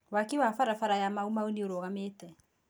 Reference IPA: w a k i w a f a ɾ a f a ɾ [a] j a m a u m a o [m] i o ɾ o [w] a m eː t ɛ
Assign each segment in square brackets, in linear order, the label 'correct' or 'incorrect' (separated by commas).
correct, incorrect, incorrect